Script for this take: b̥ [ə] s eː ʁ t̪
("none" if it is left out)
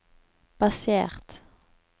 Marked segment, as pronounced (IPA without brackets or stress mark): ɑ